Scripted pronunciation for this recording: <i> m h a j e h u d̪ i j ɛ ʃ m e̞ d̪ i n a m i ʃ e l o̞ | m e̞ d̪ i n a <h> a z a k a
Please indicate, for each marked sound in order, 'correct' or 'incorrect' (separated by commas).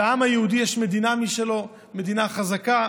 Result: incorrect, incorrect